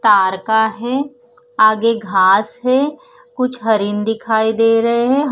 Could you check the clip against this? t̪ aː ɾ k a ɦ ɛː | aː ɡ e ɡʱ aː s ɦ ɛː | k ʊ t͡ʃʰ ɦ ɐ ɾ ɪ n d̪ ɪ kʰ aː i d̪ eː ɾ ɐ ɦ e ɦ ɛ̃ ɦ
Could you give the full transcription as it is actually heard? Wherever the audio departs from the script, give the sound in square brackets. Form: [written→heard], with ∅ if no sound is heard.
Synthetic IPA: t̪ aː ɾ k a ɦ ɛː | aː ɡ e ɡʱ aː s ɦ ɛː | k ʊ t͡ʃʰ ɦ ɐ ɾ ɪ n d̪ ɪ kʰ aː i d̪ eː ɾ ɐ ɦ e ɦ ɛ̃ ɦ